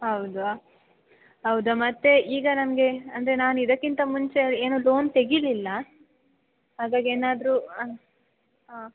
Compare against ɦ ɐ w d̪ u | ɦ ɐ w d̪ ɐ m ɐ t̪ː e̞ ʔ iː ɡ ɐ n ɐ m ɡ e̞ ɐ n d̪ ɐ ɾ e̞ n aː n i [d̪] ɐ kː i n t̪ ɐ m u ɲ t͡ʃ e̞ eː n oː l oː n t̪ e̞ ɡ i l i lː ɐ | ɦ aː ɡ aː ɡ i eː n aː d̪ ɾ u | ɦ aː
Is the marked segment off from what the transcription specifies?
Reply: no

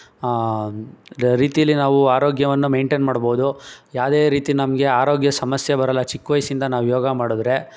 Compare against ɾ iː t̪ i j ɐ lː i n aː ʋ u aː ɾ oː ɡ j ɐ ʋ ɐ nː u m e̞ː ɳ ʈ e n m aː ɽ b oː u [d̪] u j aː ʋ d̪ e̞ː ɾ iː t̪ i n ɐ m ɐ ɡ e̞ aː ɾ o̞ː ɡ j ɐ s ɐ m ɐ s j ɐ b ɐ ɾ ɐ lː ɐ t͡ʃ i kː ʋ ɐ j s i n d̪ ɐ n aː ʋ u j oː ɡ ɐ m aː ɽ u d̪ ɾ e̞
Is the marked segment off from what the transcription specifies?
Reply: no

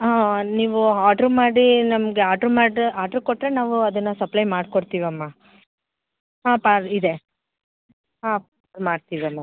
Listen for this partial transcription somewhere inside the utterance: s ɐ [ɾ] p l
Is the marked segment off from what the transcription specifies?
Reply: yes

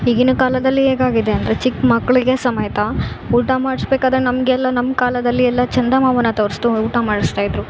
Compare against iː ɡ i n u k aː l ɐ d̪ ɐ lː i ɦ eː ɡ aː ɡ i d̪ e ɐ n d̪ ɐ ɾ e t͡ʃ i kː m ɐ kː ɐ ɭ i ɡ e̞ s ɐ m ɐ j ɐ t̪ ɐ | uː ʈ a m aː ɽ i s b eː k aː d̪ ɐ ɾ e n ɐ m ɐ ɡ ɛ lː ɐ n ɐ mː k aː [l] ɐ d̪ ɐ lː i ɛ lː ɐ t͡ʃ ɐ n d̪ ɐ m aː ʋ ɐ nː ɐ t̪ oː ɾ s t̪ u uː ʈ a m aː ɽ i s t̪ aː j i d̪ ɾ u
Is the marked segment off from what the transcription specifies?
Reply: no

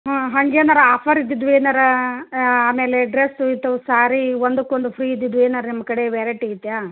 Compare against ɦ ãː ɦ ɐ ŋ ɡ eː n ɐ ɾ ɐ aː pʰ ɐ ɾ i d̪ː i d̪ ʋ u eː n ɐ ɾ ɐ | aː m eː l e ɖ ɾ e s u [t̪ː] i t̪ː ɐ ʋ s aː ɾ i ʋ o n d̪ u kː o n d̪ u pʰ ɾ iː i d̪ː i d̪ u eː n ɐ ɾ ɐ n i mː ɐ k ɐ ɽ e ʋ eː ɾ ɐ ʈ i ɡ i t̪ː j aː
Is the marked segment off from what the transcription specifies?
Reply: yes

